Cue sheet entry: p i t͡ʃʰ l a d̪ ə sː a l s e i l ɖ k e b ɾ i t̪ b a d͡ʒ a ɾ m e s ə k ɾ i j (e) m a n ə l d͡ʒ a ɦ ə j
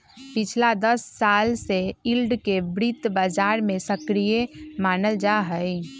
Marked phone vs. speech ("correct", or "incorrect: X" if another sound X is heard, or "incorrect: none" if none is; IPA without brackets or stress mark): correct